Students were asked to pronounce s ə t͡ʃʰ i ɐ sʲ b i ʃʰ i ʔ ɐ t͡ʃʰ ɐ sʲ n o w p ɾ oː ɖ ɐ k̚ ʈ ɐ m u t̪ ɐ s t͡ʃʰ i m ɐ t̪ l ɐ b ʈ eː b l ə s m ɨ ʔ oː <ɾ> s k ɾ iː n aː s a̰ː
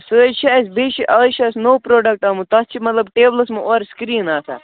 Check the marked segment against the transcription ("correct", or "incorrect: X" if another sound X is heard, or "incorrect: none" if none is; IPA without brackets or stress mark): correct